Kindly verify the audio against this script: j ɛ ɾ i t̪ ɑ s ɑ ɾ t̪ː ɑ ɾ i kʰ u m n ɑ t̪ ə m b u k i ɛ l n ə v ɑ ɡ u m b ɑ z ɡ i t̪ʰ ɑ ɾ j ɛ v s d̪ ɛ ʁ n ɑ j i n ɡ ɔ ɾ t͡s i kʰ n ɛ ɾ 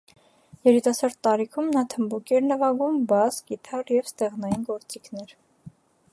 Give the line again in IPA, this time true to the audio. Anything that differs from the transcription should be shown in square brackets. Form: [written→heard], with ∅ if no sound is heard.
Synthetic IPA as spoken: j ɛ ɾ i t̪ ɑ s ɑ ɾ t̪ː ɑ ɾ i kʰ u m n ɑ [t̪→t̪ʰ] ə m b u k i ɛ [l→ɾ] n ə v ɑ ɡ u m b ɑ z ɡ i t̪ʰ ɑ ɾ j ɛ v s [d̪→t̪] ɛ ʁ n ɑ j i n ɡ ɔ ɾ t͡s i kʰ n ɛ ɾ